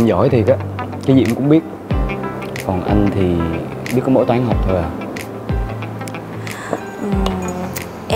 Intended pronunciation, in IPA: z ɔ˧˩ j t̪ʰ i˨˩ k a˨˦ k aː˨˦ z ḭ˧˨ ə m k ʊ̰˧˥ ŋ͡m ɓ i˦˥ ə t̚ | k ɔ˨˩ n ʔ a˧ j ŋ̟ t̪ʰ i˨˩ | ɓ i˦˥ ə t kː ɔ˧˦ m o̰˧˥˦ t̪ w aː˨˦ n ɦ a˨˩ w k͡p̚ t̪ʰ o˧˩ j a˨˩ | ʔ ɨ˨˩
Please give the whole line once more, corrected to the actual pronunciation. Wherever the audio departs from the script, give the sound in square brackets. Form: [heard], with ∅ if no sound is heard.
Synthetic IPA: z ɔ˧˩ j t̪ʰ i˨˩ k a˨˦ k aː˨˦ z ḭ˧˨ ə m k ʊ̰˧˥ ŋ͡m ɓ i˦˥ ə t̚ | k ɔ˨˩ n ʔ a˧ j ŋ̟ t̪ʰ i˨˩ | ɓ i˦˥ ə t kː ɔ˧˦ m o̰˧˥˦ t̪ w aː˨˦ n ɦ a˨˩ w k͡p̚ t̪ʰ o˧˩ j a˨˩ | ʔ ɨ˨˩